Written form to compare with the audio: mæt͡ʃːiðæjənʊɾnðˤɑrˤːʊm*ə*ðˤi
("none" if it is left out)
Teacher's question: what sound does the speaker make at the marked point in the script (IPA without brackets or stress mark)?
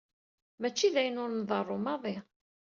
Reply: ɑ